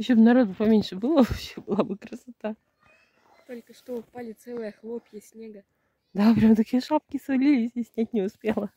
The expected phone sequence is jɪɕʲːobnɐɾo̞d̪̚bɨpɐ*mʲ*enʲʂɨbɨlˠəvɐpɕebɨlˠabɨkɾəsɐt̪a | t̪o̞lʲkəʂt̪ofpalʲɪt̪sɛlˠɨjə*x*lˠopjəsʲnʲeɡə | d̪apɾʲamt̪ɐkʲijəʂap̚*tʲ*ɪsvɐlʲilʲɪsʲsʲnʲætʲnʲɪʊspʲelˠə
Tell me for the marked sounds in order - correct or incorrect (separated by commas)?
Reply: correct, correct, incorrect